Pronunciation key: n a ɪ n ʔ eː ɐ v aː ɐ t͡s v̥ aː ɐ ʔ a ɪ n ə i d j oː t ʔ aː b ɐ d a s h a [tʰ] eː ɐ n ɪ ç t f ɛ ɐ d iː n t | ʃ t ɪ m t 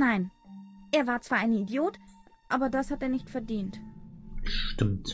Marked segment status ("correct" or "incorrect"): incorrect